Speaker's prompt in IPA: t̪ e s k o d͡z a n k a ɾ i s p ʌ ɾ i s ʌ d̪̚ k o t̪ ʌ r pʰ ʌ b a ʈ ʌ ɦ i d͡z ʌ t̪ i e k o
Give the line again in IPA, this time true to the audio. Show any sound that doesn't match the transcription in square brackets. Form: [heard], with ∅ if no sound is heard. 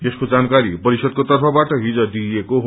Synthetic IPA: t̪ e s k o d͡z a n k a ɾ i [∅] p ʌ ɾ i s ʌ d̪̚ k o t̪ ʌ r pʰ ʌ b a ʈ ʌ ɦ i d͡z ʌ [d̪] i e k o